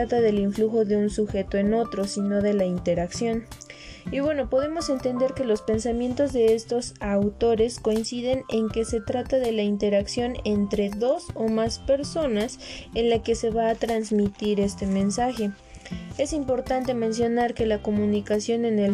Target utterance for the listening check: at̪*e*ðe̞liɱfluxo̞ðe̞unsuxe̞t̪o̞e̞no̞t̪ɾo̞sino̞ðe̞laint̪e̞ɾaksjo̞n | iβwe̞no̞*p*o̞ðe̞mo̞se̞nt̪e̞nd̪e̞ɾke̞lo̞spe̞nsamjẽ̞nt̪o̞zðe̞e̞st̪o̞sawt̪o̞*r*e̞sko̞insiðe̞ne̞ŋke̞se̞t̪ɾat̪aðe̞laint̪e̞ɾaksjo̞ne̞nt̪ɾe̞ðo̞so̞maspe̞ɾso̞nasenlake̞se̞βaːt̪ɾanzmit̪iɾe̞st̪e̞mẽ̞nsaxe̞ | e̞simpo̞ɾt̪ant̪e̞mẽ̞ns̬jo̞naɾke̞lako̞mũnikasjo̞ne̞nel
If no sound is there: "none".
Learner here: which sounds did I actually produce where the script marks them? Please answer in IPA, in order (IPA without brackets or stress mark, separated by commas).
a, p, ɾ